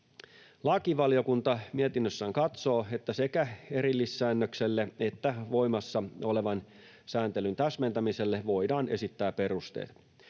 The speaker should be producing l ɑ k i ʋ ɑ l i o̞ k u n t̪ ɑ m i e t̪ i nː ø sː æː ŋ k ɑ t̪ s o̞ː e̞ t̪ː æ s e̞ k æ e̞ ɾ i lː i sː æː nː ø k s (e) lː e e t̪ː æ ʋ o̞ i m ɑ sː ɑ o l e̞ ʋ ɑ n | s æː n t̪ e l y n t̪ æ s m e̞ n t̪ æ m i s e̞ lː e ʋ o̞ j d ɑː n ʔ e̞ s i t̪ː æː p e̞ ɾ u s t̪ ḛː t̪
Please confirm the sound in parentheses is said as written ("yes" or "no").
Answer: yes